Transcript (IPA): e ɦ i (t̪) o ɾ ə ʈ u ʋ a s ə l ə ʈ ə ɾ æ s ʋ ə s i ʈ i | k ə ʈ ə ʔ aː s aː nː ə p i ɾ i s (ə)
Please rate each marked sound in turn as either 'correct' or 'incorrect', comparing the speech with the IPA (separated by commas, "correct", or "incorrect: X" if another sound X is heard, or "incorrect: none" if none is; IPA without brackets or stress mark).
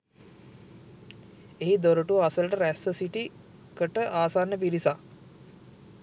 incorrect: d̪, incorrect: a